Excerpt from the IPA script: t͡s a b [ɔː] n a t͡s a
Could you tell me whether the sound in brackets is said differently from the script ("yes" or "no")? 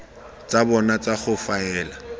yes